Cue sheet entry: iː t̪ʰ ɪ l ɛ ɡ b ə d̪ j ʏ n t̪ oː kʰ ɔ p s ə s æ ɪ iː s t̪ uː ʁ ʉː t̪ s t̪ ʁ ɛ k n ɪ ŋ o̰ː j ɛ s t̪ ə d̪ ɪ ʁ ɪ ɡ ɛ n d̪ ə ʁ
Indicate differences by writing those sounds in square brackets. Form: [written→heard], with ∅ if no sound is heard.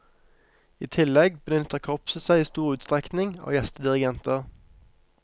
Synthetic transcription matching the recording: iː t̪ʰ ɪ l ɛ ɡ b ə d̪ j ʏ n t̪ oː kʰ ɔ p s ə s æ ɪ iː s t̪ uː ʁ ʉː t̪ s t̪ ʁ ɛ k n ɪ ŋ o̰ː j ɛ s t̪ ə d̪ ɪ ʁ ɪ ɡ ɛ n [d̪→t̪] ə ʁ

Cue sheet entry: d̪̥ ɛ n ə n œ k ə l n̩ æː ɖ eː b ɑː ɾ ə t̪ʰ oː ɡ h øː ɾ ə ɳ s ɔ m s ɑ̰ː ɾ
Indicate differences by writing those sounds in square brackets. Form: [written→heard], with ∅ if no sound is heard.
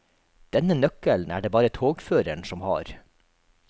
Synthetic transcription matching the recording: d̪̥ ɛ n ə n œ k ə l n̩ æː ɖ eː b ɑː ɾ ə t̪ʰ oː ɡ [h→f] øː ɾ ə ɳ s ɔ m [s→h] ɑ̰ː ɾ

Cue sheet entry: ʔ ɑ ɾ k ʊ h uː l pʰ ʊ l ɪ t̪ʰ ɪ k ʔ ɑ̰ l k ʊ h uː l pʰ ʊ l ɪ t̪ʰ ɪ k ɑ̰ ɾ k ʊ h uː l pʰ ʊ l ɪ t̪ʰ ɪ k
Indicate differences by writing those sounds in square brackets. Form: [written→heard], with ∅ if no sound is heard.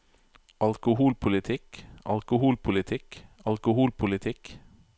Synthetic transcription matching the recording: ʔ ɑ [ɾ→l] k ʊ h uː l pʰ ʊ l ɪ t̪ʰ ɪ k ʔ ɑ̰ l k ʊ h uː l pʰ ʊ l ɪ t̪ʰ ɪ k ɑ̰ [ɾ→l] k ʊ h uː l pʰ ʊ l ɪ t̪ʰ ɪ k

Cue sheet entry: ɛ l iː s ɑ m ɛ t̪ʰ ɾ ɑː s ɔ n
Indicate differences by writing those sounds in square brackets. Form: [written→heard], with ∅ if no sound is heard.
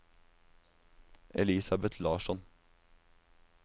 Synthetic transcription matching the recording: ɛ l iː s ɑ [m→b] ɛ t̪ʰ [ɾ→l] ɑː [s→ʃ] ɔ n

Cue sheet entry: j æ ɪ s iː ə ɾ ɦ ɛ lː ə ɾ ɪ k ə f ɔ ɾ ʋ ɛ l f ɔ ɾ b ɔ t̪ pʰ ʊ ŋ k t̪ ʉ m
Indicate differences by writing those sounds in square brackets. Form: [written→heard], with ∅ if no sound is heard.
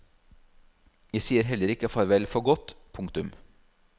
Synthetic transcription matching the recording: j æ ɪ s iː ə ɾ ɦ ɛ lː ə ɾ ɪ k ə f ɔ ɾ ʋ ɛ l f ɔ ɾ [b→ɡ] ɔ t̪ pʰ ʊ ŋ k t̪ ʉ m

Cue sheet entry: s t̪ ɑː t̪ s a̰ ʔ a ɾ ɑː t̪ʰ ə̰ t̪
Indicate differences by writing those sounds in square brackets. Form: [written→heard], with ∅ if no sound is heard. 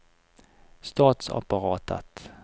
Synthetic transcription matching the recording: s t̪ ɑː t̪ s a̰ [ʔ→p] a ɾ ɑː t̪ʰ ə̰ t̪

